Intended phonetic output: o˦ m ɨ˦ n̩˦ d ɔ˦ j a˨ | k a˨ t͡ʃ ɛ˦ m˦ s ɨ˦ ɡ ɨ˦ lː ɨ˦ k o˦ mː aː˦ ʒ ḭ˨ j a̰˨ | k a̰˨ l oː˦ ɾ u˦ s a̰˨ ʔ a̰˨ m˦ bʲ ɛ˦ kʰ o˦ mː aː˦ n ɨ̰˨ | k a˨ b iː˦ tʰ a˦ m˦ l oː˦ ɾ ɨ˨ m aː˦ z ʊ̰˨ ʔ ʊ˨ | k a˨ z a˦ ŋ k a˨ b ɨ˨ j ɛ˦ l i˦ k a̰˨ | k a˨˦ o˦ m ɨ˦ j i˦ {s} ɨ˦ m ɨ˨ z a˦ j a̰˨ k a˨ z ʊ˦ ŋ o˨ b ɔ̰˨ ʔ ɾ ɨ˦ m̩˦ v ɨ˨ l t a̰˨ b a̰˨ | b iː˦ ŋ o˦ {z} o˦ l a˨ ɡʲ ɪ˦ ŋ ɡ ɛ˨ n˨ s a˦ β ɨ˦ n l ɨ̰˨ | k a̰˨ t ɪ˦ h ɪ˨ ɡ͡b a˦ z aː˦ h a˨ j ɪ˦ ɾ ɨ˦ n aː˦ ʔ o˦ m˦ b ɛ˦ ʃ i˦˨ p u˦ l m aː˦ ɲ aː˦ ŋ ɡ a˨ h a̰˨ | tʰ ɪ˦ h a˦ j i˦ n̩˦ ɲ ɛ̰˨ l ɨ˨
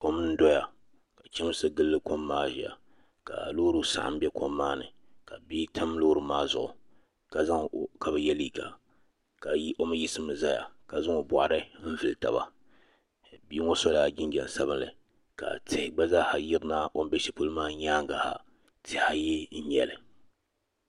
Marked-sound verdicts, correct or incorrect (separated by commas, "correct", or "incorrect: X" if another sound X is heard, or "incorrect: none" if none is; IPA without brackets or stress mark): correct, incorrect: s